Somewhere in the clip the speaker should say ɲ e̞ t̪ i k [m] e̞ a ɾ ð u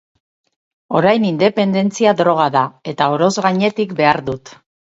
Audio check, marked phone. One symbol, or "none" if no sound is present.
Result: b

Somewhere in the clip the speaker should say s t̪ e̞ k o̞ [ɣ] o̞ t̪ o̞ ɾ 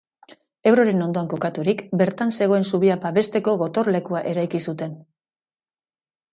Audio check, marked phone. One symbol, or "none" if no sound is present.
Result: ɣ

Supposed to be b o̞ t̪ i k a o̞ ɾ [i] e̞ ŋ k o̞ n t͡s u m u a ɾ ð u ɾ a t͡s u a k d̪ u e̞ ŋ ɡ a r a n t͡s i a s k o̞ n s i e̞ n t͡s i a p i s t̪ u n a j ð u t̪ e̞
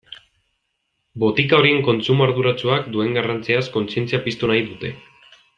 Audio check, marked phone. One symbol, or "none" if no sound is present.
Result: i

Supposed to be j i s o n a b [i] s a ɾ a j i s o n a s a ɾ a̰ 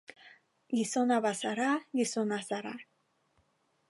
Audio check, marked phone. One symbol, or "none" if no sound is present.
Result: a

